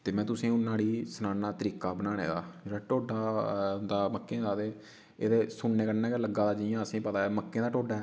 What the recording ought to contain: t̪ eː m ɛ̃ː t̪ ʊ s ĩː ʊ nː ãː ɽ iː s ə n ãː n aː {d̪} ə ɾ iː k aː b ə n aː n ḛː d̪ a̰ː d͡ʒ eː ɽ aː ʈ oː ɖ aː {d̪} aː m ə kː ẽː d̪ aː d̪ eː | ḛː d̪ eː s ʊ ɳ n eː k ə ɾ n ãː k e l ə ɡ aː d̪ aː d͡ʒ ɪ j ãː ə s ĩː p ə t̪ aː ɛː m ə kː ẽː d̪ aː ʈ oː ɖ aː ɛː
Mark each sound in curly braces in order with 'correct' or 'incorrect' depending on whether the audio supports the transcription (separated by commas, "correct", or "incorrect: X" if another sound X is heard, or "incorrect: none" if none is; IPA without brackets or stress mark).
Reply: incorrect: t̪, correct